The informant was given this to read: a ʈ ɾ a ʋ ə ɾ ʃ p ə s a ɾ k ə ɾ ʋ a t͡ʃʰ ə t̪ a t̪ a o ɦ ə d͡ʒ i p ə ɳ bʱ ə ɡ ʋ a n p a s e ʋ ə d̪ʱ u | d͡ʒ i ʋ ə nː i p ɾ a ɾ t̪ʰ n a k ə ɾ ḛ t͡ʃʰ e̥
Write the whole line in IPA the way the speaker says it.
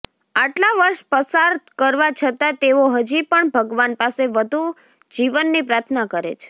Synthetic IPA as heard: a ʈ l a ʋ ə ɾ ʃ p ə s a ɾ k ə ɾ ʋ a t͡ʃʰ ə t̪ a t̪ e o ɦ ə d͡ʒ i p ə ɳ bʱ ə ɡ ʋ a n p a s e ʋ ə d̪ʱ u | d͡ʒ i ʋ ə nː i p ɾ a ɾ t̪ʰ n a k ə ɾ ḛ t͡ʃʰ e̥